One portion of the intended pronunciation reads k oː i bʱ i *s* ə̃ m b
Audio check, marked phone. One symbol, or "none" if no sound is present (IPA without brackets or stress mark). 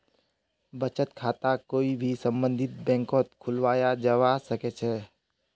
s